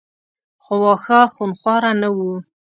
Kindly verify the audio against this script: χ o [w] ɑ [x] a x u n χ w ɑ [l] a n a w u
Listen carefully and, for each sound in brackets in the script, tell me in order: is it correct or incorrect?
correct, correct, incorrect

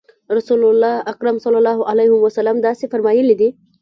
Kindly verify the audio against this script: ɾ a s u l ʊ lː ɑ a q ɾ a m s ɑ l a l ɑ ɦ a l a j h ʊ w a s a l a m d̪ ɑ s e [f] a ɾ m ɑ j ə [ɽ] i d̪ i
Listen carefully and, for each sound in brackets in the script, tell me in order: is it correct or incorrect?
correct, incorrect

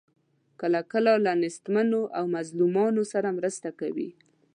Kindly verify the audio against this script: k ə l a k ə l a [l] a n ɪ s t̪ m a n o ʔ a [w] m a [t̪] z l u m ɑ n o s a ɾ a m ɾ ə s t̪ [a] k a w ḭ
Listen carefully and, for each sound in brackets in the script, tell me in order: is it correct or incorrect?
correct, correct, incorrect, correct

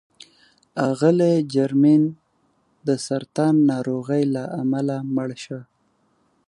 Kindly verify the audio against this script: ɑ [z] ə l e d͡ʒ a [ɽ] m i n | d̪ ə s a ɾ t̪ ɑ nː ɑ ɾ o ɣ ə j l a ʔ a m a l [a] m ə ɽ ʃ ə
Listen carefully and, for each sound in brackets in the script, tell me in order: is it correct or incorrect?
incorrect, incorrect, correct

